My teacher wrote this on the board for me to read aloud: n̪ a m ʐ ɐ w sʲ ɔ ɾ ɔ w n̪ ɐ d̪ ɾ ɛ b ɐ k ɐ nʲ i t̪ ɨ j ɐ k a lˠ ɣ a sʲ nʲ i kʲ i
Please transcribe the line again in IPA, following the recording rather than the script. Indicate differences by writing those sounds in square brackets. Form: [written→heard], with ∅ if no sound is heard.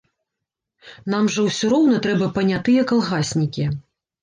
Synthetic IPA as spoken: n̪ a m ʐ ɐ w sʲ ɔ ɾ ɔ w n̪ ɐ [d̪→t̪] ɾ ɛ b ɐ [k→p] ɐ nʲ [i→a] t̪ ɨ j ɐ k a lˠ ɣ a sʲ nʲ i kʲ i